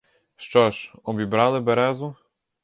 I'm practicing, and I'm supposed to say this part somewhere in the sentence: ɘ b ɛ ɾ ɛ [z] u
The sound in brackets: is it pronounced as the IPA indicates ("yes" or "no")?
yes